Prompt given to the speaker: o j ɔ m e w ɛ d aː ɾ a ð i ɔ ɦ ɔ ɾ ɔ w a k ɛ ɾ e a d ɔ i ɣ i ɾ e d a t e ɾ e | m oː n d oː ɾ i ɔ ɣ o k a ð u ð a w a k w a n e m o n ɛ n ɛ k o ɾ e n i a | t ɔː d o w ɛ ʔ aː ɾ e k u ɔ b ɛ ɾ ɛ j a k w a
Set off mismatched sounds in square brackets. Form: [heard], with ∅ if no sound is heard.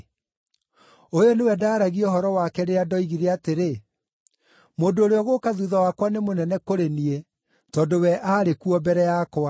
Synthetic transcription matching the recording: o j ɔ [n] e w ɛ d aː ɾ a [ɣ] i ɔ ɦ ɔ ɾ ɔ w a k ɛ ɾ e a d ɔ i ɣ i ɾ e [∅] a t e ɾ e | m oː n d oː ɾ [e] ɔ ɣ o k a ð u ð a w a k w a n e m o n ɛ n ɛ k o ɾ e n i [e] | t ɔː d o w ɛ ʔ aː ɾ e k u ɔ b ɛ ɾ ɛ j a k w a